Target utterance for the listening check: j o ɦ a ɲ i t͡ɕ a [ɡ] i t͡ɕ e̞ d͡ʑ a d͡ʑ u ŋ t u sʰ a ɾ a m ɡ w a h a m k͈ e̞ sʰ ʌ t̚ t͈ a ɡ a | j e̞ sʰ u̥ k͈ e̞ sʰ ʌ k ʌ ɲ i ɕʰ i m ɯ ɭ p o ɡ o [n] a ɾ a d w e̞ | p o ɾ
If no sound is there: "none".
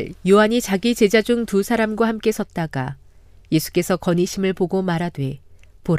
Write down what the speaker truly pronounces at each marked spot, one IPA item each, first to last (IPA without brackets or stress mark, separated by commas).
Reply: ɡ, m